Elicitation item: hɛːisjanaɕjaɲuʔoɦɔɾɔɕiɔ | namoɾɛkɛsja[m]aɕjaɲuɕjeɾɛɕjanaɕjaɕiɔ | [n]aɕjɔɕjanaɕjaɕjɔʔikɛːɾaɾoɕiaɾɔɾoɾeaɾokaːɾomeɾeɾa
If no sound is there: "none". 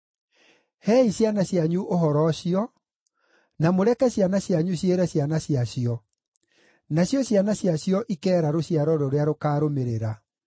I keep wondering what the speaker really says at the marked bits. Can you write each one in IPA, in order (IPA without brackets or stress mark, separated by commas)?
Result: n, n